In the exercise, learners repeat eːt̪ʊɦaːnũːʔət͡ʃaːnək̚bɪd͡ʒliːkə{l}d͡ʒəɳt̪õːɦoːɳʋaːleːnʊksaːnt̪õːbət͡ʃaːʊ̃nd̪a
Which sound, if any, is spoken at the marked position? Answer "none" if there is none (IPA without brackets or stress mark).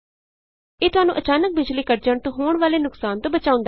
ɾ